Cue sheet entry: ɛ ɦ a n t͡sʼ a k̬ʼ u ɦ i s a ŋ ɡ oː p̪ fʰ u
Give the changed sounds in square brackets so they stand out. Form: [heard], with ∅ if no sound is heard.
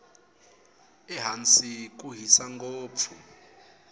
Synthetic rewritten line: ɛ ɦ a n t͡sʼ [i] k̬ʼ u ɦ i s a ŋ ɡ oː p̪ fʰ u